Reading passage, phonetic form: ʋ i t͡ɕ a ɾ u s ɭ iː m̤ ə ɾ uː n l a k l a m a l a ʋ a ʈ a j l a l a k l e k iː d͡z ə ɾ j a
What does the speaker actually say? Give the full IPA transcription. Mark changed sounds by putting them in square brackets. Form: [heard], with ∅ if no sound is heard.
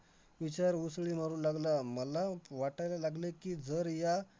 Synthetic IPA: ʋ i t͡ɕ a ɾ u s ɭ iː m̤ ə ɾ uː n l a [ɡ] l a m [ə] l a ʋ a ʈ a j l a l a [ɡ] l e k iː d͡z ə ɾ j a